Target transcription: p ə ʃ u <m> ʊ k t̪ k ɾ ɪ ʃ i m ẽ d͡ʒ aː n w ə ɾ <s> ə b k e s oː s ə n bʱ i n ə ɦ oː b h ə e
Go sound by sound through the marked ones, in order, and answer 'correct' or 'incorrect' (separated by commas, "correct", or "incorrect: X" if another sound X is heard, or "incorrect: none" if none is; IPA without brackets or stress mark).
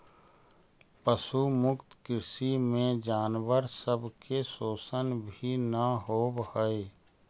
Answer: correct, correct